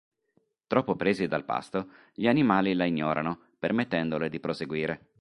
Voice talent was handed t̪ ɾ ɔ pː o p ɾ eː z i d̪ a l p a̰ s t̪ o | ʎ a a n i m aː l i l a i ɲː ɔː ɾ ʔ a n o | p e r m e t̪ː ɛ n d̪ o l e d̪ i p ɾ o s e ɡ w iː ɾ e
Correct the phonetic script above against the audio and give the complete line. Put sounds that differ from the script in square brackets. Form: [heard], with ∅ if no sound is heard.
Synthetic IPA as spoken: t̪ ɾ ɔ pː o p ɾ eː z i d̪ a l p a̰ s t̪ o | ʎ [i] a n i m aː l i l a i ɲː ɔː ɾ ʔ a n o | p e r m e t̪ː ɛ n d̪ o l e d̪ i p ɾ o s e ɡ w iː ɾ e